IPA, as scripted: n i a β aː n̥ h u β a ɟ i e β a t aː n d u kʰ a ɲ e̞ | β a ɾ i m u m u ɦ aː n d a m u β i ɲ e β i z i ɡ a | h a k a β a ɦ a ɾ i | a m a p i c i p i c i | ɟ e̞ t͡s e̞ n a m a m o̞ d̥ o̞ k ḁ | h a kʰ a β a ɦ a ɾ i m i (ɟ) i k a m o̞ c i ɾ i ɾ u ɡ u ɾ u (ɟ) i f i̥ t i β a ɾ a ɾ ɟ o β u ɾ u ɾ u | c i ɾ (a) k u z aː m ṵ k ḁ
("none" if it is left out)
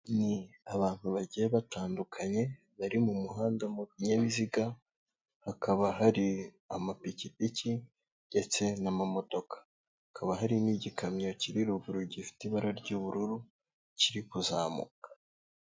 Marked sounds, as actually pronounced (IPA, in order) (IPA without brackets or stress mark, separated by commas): ɟ, ɟ, i